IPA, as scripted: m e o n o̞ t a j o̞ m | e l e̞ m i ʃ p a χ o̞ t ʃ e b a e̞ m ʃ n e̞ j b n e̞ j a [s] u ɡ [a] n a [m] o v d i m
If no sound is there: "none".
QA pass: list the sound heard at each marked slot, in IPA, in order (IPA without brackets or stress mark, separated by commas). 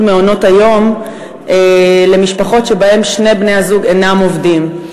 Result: z, e, m